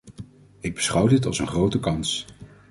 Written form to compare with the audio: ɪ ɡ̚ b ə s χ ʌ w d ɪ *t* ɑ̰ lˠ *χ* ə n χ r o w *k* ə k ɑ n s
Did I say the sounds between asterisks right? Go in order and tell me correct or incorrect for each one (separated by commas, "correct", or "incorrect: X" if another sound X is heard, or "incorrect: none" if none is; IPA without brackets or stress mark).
correct, incorrect: s, incorrect: t